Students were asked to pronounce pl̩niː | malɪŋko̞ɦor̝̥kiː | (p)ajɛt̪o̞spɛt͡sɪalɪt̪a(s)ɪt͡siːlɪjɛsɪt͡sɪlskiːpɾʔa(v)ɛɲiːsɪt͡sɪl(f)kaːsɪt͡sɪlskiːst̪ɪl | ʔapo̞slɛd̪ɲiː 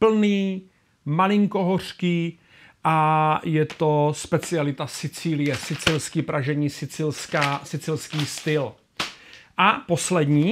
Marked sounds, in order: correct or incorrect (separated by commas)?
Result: incorrect, correct, incorrect, incorrect